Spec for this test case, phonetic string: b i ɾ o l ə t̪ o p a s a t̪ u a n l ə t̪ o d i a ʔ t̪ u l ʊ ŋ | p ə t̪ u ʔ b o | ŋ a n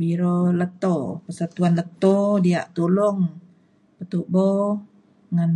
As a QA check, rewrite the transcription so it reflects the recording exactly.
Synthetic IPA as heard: b i ɾ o l ə t̪ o p ə s a t̪ u a n l ə t̪ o d i a ʔ t̪ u l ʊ ŋ | p ə t̪ u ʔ b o | ŋ a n

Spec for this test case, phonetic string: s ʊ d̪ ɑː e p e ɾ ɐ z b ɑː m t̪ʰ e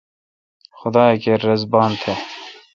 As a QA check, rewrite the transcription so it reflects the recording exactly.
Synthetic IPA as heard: x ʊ d̪ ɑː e k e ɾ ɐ z b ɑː n t̪ʰ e

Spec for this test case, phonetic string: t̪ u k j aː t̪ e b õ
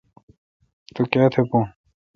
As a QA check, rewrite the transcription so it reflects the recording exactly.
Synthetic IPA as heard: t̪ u k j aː t̪ʰ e p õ

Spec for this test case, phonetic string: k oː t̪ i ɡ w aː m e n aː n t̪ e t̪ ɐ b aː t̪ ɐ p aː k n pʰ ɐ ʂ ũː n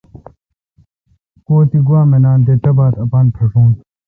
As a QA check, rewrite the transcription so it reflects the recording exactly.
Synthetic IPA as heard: k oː t̪ i ɡ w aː m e n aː n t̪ e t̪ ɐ b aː t̪ ɐ p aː n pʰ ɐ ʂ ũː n

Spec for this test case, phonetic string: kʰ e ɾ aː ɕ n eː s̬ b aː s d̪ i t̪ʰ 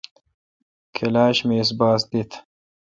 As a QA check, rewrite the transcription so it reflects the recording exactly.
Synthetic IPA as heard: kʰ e l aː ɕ m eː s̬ b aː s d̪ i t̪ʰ

